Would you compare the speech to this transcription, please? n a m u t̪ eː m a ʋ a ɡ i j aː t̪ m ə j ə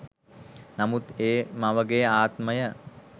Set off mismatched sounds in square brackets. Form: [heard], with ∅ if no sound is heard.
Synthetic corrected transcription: n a m u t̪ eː m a ʋ [ə] ɡ [e] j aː t̪ m ə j ə